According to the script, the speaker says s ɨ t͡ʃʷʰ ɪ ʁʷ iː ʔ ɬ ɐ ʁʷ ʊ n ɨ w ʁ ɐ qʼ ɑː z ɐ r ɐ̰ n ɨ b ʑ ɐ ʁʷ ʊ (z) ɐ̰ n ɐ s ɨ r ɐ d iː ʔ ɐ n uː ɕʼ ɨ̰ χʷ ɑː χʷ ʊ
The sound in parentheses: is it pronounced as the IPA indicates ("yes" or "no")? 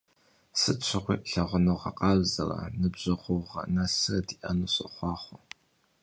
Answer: no